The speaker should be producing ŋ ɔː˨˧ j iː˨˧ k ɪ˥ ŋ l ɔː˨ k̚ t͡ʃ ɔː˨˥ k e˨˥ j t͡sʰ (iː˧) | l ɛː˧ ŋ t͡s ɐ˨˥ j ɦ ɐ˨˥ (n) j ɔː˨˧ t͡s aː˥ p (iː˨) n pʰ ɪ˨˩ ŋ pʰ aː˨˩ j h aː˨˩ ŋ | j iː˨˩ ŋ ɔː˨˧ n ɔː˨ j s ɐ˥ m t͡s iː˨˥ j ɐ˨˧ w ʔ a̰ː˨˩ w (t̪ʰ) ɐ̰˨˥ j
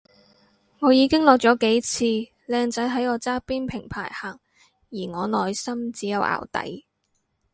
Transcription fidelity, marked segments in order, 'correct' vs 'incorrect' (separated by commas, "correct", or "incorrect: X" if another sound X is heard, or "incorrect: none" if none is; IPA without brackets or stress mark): correct, incorrect: none, incorrect: iː˥, incorrect: t̪